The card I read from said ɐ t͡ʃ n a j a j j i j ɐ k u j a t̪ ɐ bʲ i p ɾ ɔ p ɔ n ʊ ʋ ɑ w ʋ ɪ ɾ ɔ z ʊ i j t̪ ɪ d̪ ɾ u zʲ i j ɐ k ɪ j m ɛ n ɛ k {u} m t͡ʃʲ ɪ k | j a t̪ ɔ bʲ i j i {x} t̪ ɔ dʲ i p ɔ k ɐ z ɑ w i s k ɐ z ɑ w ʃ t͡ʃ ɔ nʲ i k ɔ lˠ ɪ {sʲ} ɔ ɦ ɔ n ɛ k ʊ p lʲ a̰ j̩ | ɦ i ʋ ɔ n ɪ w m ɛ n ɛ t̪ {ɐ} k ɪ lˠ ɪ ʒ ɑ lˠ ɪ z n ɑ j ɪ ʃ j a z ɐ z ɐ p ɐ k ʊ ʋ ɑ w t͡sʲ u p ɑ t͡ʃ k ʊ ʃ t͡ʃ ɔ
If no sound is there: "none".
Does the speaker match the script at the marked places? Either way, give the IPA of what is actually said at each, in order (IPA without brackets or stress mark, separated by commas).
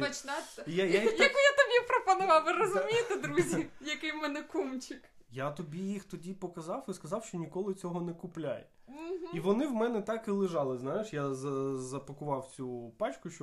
u, x, t͡sʲ, ɑ